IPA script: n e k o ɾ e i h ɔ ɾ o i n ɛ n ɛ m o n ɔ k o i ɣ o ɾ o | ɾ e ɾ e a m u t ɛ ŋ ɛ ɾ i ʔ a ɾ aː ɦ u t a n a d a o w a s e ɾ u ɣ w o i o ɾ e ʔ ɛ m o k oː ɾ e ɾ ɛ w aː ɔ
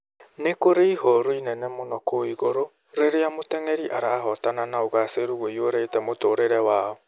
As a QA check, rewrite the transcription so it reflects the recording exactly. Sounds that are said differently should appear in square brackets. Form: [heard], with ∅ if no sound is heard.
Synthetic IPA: n e k o ɾ e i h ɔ ɾ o i n ɛ n ɛ m o n ɔ k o i ɣ o ɾ o | ɾ e ɾ e a m [o] t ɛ ŋ ɛ ɾ i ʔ a ɾ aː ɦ [ɔ] t a n a [n] a o [ɣ] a s e ɾ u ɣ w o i o ɾ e [t] ɛ m o [t] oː ɾ e ɾ ɛ w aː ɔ